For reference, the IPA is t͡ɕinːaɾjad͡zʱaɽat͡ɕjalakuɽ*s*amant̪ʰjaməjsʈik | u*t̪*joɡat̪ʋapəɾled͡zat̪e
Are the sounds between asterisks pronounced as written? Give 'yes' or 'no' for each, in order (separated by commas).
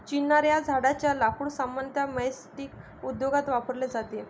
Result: yes, no